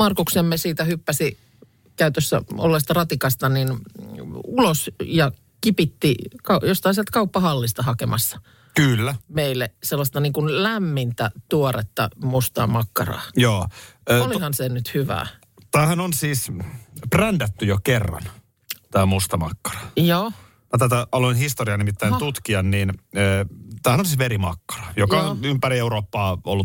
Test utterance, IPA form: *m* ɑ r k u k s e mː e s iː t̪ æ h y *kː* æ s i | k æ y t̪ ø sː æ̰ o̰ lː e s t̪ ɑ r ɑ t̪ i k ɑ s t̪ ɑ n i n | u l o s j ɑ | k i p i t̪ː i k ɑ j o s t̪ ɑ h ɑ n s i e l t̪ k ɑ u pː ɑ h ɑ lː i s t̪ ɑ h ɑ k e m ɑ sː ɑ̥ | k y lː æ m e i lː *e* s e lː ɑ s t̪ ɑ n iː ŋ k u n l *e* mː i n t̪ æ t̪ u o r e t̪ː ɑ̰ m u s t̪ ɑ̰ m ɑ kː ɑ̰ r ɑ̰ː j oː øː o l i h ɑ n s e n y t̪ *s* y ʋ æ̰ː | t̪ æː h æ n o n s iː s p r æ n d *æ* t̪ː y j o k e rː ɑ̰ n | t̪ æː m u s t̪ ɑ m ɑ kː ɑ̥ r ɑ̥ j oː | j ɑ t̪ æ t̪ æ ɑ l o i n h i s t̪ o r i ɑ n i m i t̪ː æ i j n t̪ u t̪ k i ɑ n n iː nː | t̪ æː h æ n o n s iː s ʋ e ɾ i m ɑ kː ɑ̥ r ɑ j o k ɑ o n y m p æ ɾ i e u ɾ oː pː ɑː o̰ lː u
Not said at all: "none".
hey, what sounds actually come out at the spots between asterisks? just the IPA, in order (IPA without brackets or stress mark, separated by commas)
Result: m, pː, e, æ, h, æ